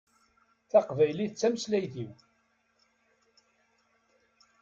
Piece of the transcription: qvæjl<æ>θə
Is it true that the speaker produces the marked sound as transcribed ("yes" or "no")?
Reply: no